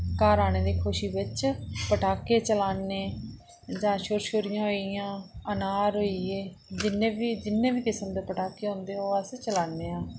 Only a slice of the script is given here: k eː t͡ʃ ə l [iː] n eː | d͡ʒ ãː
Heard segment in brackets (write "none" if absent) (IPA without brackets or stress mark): aː